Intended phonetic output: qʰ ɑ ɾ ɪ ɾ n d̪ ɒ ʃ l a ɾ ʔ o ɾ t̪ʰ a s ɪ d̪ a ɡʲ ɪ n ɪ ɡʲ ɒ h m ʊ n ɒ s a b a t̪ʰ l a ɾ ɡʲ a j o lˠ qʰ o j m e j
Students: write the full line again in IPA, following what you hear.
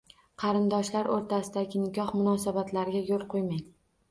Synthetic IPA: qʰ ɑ ɾ ɪ n d̪ ɒ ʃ l a ɾ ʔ o ɾ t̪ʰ a s ɪ d̪ a ɡʲ ɪ n ɪ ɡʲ ɒ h m ʊ n ɒ s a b a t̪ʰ l a ɾ ɡʲ a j o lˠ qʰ o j m a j